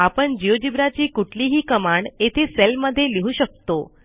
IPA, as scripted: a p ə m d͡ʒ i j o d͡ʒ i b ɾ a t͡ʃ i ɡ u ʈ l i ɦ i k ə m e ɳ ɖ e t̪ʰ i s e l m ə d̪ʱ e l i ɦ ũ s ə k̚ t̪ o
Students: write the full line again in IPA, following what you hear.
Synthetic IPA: a p ə ɳ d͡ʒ i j o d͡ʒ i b ɾ a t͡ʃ i k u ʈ l i ɦ i k ə m a ɳ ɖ e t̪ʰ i s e l m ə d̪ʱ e l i ɦ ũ ʃ ə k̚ t̪ o